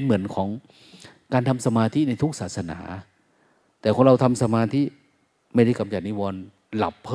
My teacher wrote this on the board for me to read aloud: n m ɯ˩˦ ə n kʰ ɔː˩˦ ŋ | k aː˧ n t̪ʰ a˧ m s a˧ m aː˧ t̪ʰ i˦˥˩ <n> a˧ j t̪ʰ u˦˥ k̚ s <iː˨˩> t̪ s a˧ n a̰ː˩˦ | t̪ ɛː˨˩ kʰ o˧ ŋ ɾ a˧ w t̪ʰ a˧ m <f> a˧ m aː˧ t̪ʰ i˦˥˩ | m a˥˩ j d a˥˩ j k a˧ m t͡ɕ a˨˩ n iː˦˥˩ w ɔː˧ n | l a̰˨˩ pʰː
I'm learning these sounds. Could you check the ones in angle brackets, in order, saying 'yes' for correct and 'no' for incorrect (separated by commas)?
yes, no, no